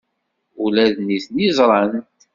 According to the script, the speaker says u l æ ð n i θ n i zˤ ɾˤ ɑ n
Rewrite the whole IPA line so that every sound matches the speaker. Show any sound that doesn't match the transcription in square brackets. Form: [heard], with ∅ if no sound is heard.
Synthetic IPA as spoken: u l æ ð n i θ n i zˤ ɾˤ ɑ n